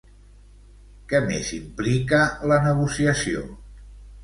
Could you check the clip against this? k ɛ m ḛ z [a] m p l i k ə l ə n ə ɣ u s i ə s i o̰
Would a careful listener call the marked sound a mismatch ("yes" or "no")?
yes